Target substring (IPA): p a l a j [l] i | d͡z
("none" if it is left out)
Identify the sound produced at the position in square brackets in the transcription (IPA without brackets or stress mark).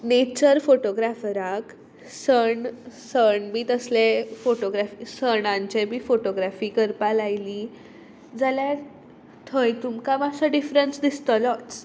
l